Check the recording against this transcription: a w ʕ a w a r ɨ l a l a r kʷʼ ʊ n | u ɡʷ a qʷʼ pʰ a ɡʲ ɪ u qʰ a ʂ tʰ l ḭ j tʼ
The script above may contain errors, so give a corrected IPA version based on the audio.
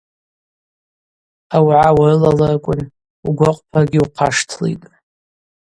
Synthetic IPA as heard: a w ʕ a w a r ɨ l a l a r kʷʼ ʊ n | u ɡʷ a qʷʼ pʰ a ɡʲ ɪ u qʰ a ʂ tʰ l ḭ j tʼ